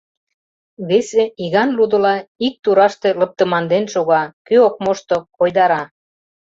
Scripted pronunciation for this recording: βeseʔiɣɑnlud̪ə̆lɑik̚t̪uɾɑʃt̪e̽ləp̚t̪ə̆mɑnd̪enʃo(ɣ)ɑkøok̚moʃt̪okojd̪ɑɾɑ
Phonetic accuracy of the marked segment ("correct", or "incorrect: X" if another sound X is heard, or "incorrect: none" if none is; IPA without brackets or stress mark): correct